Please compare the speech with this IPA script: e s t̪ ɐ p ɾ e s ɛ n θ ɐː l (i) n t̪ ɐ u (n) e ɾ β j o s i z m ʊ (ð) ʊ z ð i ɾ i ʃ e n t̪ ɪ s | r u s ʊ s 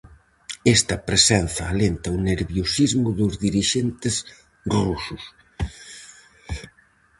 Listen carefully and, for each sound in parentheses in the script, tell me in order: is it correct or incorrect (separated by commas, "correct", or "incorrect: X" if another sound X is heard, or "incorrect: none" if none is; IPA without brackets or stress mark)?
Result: incorrect: e, correct, correct